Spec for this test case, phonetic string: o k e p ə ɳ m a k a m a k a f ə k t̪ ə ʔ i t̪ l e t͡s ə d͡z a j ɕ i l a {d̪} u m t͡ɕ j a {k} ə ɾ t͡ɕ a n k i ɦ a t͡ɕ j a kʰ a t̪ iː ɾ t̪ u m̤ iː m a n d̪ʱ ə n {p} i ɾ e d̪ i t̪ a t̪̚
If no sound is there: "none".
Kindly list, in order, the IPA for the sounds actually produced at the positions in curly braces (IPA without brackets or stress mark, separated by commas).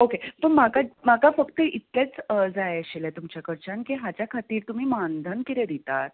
t̪, k, k